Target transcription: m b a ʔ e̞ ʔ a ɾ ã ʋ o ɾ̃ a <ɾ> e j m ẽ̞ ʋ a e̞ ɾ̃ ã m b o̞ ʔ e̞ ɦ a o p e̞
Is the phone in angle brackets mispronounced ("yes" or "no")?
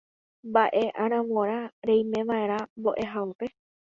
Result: no